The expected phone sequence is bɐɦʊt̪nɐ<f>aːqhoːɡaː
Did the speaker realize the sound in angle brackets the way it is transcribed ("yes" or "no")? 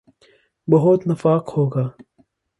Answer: yes